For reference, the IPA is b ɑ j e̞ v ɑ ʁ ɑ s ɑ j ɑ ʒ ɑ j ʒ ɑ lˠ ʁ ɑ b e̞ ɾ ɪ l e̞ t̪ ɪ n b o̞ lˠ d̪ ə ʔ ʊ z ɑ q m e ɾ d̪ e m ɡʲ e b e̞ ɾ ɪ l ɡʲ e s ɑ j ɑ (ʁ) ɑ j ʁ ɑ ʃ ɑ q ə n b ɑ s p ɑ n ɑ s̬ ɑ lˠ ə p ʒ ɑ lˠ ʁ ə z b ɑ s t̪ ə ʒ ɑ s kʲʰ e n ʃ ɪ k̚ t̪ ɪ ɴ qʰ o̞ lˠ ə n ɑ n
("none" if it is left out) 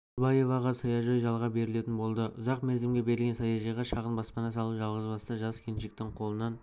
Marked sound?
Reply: ʒ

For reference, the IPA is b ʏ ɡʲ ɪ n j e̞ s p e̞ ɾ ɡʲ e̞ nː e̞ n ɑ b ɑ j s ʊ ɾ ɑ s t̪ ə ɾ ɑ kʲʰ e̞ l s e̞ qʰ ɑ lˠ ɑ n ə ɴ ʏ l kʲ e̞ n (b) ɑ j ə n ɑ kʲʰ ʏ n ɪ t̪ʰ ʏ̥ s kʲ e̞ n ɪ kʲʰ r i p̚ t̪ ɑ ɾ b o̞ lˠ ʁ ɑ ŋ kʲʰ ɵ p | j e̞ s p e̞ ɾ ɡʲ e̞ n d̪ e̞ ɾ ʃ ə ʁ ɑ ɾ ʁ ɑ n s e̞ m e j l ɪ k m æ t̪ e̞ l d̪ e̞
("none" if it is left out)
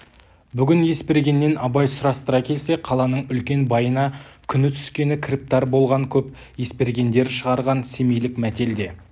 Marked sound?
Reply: b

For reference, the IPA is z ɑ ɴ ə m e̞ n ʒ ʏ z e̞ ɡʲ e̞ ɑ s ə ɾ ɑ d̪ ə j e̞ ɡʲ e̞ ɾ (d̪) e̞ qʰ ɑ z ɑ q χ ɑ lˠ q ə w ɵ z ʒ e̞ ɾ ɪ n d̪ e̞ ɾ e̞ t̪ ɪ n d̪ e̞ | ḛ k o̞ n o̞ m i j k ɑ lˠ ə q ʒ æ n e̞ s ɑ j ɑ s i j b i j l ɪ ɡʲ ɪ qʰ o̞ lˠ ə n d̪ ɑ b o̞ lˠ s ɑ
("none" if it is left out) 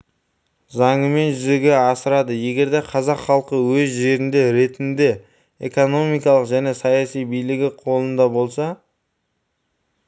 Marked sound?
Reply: d̪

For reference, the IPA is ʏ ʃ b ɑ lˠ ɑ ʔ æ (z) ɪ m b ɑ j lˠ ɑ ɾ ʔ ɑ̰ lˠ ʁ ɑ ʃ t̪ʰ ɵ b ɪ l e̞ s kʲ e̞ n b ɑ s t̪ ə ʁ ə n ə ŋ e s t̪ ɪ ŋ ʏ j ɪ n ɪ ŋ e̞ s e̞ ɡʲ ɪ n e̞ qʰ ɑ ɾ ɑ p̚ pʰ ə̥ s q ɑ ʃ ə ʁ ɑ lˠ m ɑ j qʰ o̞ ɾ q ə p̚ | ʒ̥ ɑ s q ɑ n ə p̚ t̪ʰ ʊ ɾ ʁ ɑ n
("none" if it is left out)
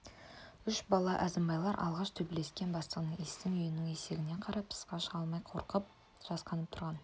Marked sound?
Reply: z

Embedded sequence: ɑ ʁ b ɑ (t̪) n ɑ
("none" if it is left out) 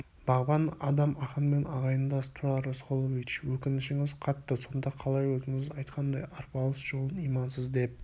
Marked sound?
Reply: none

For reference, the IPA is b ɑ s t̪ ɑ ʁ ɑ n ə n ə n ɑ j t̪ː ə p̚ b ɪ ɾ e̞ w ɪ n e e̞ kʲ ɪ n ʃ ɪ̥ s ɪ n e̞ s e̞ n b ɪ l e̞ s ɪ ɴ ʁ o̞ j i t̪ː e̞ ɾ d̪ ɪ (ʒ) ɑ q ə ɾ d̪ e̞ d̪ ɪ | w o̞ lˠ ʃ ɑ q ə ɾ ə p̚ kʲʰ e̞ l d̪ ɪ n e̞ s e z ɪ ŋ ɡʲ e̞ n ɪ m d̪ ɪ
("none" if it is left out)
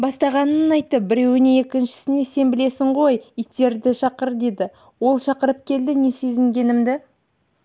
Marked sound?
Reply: ʃ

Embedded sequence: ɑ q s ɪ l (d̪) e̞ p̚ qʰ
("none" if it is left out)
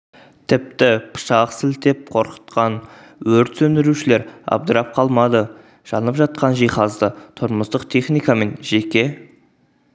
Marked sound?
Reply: t̪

